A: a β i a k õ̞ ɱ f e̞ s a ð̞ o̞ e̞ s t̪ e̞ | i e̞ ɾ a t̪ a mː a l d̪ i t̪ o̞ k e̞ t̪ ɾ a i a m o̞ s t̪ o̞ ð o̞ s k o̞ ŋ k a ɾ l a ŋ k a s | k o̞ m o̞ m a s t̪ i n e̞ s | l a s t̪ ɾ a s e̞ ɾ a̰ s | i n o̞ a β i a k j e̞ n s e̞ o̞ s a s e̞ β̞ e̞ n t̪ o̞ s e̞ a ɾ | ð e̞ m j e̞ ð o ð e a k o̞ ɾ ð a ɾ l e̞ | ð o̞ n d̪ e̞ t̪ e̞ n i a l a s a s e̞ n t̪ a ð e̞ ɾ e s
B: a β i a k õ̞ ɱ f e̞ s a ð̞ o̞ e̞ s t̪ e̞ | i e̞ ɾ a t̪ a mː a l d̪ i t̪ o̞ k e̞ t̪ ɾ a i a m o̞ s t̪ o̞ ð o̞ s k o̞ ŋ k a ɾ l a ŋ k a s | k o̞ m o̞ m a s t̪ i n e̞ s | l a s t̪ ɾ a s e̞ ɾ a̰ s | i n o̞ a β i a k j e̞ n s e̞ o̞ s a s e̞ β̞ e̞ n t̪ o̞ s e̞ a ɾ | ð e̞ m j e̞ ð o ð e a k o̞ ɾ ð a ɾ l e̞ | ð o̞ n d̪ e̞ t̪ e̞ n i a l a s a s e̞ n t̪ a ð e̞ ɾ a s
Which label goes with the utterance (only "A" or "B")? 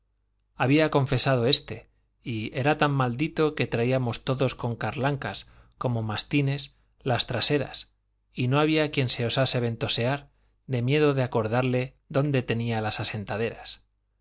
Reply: B